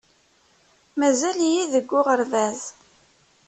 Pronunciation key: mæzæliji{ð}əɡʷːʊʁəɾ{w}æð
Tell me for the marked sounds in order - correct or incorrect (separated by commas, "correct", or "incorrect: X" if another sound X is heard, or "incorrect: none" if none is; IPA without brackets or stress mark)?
correct, incorrect: v